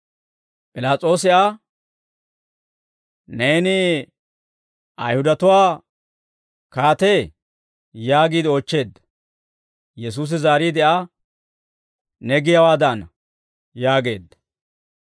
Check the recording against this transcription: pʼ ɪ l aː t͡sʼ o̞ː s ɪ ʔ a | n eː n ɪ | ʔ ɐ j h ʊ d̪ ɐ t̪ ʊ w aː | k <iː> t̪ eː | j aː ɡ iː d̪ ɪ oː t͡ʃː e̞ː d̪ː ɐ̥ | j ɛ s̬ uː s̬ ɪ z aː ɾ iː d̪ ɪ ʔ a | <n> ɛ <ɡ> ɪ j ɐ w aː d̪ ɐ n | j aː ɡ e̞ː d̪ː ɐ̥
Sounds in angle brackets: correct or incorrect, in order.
incorrect: aː, correct, correct

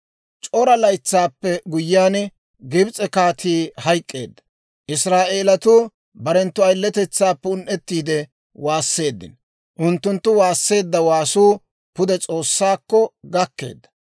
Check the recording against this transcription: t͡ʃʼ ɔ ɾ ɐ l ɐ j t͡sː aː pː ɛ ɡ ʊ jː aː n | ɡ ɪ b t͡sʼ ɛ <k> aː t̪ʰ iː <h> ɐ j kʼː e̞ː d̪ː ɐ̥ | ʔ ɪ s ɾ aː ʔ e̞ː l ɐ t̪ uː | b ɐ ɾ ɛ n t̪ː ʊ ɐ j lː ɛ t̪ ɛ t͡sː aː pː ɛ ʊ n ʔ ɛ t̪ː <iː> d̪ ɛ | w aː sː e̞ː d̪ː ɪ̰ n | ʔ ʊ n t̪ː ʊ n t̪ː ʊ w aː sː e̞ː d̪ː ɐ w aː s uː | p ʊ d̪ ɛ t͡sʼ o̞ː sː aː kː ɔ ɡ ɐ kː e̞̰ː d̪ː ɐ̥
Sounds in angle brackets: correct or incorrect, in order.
correct, correct, correct

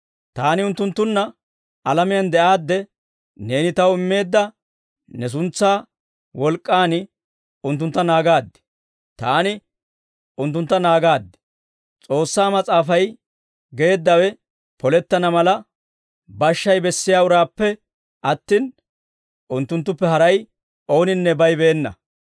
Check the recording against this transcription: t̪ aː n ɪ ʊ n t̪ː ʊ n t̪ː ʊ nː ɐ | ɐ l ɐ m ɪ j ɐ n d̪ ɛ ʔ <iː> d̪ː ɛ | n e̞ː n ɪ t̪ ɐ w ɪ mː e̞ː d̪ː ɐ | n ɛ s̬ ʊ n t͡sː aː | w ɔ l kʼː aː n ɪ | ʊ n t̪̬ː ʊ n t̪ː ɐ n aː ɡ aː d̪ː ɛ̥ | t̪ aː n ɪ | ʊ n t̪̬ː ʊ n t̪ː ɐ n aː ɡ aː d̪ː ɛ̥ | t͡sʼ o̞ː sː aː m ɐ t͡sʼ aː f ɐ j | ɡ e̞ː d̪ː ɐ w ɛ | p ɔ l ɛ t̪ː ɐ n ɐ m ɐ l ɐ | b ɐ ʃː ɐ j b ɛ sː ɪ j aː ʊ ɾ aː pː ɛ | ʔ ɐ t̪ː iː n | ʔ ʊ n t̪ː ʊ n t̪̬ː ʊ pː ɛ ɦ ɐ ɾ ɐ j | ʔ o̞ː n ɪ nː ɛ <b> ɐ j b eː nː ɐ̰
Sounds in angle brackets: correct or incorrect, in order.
incorrect: aː, correct

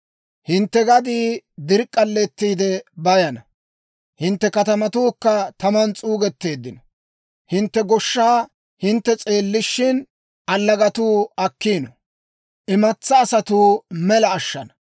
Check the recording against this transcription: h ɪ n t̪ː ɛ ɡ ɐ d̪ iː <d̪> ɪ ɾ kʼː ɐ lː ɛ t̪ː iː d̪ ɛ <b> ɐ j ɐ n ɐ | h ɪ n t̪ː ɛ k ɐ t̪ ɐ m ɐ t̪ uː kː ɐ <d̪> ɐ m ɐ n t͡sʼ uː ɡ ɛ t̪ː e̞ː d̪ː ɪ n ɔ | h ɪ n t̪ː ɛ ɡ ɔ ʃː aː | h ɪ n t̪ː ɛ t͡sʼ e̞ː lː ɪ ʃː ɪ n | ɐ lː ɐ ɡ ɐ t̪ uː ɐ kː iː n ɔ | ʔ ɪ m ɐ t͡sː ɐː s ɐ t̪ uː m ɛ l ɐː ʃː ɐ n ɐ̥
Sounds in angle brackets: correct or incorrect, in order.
correct, correct, incorrect: t̪

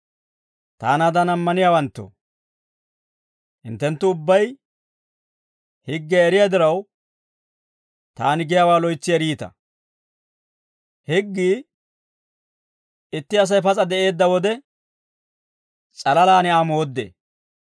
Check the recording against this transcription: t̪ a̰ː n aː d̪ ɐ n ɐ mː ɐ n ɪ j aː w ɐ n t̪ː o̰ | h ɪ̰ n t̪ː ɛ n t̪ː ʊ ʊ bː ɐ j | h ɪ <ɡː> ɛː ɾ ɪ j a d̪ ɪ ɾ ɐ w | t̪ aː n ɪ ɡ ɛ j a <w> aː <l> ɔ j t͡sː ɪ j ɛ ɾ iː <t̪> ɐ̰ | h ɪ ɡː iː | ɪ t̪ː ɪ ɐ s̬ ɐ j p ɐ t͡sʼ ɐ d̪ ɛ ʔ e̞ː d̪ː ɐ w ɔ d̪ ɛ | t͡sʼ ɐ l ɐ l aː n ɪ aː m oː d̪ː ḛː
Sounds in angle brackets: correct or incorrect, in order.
correct, correct, correct, correct

